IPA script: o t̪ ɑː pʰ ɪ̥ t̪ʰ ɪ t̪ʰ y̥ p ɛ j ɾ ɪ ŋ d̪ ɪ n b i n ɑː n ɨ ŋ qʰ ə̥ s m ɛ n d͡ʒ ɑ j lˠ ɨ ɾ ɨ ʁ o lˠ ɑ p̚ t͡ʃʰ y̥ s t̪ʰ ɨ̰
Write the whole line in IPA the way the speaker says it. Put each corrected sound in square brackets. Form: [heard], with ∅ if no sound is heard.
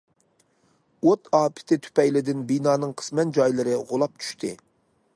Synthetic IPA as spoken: o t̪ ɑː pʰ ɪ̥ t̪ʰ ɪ t̪ʰ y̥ p ɛ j [l] ɪ [∅] d̪ ɪ n b i n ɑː n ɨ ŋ qʰ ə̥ s m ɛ n d͡ʒ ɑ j lˠ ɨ ɾ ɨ ʁ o lˠ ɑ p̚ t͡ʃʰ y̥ [ʃ] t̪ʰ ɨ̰